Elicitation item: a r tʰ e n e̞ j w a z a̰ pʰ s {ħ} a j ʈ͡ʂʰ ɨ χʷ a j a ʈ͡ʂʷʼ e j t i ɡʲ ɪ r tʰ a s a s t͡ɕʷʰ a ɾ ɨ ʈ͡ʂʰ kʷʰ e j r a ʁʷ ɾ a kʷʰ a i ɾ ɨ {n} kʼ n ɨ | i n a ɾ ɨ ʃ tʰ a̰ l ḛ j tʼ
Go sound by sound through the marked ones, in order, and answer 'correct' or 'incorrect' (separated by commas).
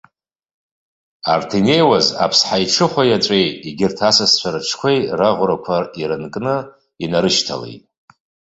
correct, correct